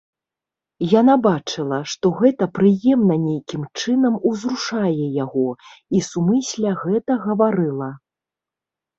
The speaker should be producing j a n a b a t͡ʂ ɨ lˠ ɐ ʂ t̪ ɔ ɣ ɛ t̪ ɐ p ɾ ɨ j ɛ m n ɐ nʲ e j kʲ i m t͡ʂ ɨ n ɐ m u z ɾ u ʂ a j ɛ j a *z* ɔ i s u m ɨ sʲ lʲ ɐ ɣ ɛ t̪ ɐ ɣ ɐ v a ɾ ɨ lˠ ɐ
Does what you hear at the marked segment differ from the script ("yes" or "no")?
yes